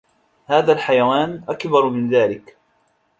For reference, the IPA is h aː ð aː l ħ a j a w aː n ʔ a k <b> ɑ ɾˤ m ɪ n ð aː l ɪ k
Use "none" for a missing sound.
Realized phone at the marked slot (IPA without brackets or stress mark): b